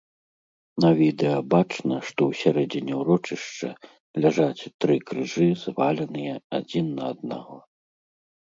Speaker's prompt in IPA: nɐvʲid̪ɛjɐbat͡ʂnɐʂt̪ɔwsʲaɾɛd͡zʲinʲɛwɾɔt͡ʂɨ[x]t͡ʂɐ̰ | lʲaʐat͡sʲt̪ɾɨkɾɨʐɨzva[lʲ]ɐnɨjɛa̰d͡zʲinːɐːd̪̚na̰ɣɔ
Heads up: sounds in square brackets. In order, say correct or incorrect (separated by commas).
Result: incorrect, correct